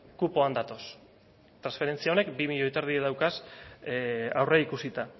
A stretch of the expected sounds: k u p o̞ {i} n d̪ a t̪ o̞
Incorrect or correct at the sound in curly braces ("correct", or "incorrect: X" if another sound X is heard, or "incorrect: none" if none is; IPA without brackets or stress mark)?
incorrect: a